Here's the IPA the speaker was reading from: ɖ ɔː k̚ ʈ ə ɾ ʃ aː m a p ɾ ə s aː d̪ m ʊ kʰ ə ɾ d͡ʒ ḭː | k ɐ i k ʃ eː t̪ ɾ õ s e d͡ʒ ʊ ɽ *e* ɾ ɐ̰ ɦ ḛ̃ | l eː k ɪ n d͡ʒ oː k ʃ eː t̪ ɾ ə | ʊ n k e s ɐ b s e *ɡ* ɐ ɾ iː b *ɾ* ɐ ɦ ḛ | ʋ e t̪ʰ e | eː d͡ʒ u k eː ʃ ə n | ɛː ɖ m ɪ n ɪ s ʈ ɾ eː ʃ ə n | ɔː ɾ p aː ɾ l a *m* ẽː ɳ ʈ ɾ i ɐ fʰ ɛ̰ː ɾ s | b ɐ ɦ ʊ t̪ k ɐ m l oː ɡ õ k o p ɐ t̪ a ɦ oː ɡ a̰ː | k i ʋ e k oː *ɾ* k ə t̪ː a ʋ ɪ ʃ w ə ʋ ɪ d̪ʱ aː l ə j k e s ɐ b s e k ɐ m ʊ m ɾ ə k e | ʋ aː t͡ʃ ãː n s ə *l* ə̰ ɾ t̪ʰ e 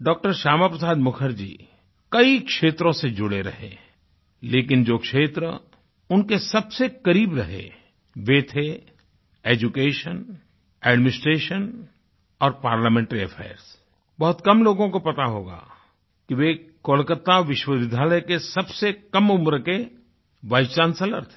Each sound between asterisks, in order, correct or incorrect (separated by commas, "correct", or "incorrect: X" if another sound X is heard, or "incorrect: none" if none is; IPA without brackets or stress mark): correct, incorrect: k, correct, correct, incorrect: l, correct